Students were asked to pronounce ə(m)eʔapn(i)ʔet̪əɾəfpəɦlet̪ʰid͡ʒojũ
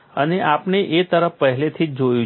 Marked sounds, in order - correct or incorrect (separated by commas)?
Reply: incorrect, incorrect